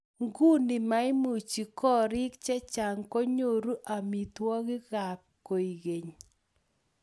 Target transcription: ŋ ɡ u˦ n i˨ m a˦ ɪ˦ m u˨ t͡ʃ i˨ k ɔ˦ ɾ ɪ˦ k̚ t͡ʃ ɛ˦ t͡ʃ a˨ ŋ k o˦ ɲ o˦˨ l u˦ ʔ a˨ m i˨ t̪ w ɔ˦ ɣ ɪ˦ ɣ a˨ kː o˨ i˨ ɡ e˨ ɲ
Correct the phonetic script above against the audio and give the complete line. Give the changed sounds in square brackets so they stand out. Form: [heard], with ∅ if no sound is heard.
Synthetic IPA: ŋ ɡ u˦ n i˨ m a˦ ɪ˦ m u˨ t͡ʃ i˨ k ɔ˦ ɾ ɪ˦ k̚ t͡ʃ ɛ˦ t͡ʃ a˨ ŋ k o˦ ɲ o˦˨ [ɾ] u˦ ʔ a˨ m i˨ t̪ w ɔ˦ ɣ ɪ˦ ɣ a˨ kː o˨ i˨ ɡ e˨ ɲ